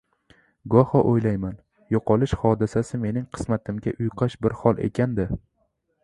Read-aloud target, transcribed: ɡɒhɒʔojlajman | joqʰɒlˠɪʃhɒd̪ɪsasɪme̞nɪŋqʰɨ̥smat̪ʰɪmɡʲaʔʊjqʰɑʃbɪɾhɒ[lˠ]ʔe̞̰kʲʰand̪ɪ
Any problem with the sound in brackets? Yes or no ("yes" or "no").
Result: no